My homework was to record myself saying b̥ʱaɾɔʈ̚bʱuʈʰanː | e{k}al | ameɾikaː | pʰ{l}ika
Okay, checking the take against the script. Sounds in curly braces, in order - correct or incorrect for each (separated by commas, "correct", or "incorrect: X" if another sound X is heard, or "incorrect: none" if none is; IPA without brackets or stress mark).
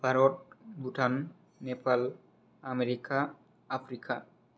incorrect: p, incorrect: ɾ